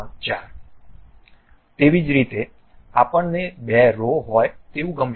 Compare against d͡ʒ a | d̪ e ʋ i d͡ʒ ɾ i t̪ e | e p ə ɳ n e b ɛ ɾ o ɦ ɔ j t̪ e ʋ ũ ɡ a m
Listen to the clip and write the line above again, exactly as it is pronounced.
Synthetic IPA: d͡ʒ a | t̪ e ʋ i d͡ʒ ɾ i t̪ e | a p ə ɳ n e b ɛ ɾ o ɦ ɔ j t̪ e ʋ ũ ɡ ə m